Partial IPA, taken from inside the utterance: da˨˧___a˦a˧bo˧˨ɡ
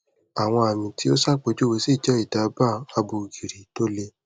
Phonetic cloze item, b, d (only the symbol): b